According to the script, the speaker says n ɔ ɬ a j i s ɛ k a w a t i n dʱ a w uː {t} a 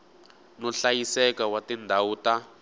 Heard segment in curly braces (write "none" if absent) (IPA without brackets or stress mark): t